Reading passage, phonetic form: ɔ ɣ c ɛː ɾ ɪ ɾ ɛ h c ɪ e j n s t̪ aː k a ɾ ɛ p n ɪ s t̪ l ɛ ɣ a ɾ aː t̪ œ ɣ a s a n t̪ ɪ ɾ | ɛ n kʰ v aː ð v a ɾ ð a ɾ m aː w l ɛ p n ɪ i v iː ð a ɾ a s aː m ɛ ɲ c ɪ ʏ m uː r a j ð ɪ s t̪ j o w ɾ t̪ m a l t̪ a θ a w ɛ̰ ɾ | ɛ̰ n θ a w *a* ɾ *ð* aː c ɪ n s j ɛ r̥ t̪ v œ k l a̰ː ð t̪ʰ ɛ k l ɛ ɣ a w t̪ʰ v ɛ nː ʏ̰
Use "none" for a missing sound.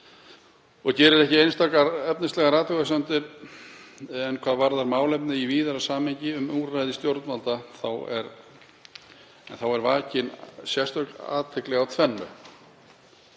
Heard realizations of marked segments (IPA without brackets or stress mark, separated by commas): ɛ, v